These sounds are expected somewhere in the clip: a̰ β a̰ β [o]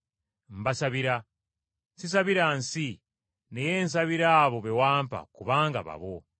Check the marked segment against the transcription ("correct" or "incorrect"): correct